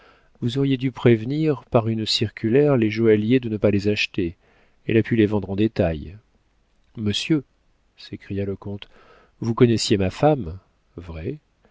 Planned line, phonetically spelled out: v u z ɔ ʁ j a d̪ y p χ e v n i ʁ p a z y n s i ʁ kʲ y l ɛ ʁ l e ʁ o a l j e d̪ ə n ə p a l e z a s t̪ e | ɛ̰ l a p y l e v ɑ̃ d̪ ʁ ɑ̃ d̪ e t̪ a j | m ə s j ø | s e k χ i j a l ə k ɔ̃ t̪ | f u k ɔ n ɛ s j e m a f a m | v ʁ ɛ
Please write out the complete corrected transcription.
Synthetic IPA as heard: v u z ɔ ʁ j e d̪ y p χ e v n i ʁ p a ʁ y n s i ʁ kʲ y l ɛ ʁ l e ʒ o a l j e d̪ ə n ə p a l e z a ʃ t̪ e | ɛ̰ l a p y l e v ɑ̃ d̪ ʁ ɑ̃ d̪ e t̪ a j | m ə s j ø | s e k χ i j a l ə k ɔ̃ t̪ | v u k ɔ n ɛ s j e m a f a m | v ʁ ɛ